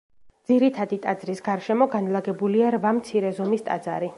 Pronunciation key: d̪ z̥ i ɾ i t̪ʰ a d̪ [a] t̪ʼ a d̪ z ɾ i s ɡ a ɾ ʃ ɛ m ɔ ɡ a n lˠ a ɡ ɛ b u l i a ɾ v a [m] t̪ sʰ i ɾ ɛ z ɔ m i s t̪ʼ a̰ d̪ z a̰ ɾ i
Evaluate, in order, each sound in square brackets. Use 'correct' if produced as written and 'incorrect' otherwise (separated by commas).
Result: incorrect, correct